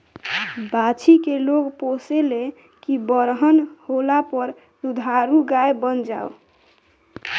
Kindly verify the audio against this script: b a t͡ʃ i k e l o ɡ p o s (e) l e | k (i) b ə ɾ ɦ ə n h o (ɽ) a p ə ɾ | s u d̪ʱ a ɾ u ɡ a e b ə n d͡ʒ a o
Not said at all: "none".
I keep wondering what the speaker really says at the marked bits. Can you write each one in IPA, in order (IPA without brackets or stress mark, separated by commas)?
e, i, l